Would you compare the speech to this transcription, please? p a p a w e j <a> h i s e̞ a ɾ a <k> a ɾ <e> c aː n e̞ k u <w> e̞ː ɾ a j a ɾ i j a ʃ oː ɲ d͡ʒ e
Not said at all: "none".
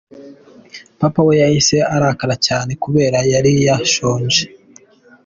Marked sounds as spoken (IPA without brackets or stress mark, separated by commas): a, k, a, β